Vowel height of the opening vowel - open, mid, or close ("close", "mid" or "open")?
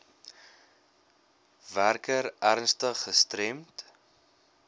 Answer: open